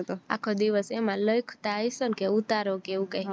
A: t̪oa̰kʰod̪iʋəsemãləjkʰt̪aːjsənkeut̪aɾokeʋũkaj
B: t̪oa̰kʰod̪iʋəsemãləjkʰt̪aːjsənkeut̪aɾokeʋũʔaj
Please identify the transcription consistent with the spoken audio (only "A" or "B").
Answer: A